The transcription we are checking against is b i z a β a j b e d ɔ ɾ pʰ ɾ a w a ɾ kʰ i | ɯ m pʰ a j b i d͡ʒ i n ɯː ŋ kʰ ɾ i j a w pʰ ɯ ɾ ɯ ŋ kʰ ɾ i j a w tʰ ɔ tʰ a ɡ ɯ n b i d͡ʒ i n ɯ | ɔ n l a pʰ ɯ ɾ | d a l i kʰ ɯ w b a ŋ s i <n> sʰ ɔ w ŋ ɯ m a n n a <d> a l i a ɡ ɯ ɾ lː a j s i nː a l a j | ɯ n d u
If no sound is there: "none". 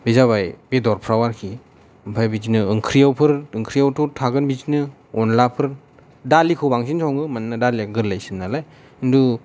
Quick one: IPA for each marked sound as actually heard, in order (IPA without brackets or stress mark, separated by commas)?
n, d